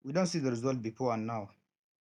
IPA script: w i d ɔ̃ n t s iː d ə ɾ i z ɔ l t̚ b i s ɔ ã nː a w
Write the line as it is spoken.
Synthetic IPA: w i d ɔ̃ n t s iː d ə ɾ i z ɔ l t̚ b i f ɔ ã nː a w